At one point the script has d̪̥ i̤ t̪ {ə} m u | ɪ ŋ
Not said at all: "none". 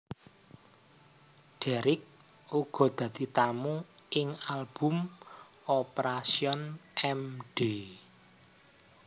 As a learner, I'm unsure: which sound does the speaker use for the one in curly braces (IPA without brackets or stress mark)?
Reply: a